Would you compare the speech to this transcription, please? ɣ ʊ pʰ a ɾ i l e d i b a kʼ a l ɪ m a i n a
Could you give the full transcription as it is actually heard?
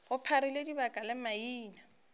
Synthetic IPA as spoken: ɣ ʊ pʰ a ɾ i l e d i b a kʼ a l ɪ m a iː n a

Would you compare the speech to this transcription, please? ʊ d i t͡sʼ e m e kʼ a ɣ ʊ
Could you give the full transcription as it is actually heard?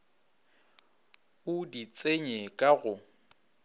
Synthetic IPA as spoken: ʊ d i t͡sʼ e ɲ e kʼ a ɣ ʊ

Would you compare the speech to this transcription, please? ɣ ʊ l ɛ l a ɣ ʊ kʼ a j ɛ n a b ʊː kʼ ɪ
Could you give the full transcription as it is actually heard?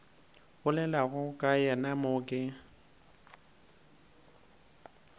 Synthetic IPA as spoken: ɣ ʊ l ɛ l a ɣ ʊ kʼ a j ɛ n a m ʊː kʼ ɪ

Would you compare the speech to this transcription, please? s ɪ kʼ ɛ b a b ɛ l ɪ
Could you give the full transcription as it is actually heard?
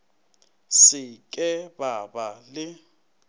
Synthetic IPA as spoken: s ɪ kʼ ɛ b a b a l ɪ

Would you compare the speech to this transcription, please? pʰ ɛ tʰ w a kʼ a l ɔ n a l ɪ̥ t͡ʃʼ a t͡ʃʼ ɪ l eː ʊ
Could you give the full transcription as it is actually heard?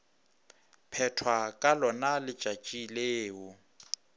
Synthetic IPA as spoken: pʰ ɛ tʰ w a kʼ a l ɔ n a l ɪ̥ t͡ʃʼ a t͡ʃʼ i l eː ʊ

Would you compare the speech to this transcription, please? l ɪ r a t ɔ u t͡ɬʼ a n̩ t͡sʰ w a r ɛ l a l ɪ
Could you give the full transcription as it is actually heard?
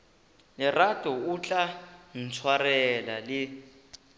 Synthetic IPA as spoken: l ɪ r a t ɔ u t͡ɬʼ a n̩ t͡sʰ w a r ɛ l a l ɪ

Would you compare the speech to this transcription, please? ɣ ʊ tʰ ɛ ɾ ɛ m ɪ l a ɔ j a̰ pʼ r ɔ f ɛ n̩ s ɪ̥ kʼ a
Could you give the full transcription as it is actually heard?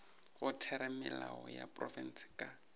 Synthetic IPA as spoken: ɣ ʊ tʰ ɛ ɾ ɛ m ɪ l a ɔ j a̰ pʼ r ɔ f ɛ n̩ s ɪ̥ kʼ a

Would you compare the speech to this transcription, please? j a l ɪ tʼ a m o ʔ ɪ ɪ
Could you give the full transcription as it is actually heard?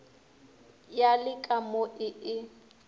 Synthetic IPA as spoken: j a l ɪ kʼ a m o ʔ ɪ ɪ

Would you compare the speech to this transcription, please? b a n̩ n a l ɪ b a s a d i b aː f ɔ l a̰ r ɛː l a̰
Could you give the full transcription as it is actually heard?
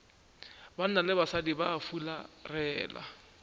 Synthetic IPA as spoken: b a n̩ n a l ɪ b a s a d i b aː f u l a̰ r ɛː l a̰

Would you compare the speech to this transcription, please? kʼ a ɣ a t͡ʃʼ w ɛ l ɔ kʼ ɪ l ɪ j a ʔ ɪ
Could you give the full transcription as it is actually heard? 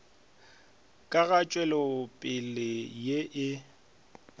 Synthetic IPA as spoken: kʼ a ɣ a t͡ʃʼ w ɛ l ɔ pʼ ɪ l ɪ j e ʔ ɪ

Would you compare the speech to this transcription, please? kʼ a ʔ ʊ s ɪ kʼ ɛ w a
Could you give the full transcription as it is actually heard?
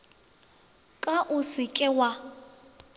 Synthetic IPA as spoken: kʼ a ʔ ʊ s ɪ kʼ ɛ w a

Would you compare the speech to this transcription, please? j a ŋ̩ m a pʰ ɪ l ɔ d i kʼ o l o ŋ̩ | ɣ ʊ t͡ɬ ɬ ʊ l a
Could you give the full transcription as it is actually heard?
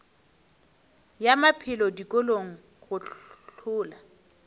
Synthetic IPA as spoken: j a m a pʰ ɪ l ɔ d i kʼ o l o ŋ̩ | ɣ ʊ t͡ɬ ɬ ʊː l a

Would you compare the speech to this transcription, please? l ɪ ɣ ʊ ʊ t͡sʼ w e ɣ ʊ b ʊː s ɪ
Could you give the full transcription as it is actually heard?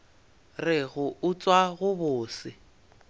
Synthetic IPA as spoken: r ɪ ɣ ʊ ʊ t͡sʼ w a ɣ ʊ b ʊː s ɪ

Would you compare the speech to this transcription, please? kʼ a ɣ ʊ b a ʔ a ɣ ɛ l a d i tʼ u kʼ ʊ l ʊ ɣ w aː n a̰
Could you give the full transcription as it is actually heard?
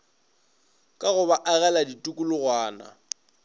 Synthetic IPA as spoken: kʼ a ɣ ʊ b a ʔ a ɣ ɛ l a d i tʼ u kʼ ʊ l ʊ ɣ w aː n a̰

